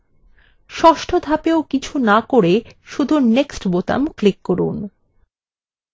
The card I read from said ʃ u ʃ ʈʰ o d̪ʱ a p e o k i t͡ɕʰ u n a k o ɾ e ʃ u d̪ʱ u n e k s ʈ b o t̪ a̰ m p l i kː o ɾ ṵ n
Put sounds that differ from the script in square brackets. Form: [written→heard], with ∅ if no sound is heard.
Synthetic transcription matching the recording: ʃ [u→ɔ] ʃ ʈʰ o d̪ʱ a p e o k i t͡ɕʰ u n a k o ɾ e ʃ u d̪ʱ u n e k s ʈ b o t̪ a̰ m [p→k] l i kː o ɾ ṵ n